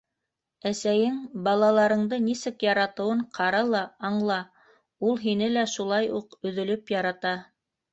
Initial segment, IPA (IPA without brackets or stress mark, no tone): æ